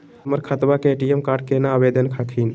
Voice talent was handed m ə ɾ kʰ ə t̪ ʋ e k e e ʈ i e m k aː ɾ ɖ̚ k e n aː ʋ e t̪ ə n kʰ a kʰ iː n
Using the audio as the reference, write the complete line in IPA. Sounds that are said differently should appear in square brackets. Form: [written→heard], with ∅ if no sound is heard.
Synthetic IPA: m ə ɾ kʰ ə t̪ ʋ [e→a] k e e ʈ i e m k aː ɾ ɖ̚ k e n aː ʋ e [t̪→d̪] ə n kʰ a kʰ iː n